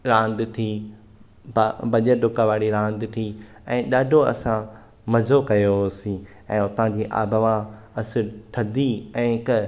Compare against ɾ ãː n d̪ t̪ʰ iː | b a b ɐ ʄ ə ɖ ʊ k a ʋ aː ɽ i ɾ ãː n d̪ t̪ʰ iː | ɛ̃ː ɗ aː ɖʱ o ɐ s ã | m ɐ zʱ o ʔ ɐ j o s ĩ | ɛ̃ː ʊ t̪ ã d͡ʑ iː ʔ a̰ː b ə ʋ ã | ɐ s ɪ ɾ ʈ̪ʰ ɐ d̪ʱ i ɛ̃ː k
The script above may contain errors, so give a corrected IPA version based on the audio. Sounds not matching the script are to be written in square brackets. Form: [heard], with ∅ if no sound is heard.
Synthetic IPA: ɾ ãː n d̪ t̪ʰ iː | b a b ɐ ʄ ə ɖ ʊ k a ʋ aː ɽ i ɾ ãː n d̪ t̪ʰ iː | ɛ̃ː ɗ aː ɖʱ o ɐ s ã | m ɐ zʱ o [k] ɐ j o s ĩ | ɛ̃ː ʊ t̪ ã d͡ʑ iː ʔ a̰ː b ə ʋ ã | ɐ s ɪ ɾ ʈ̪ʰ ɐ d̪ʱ i ɛ̃ː k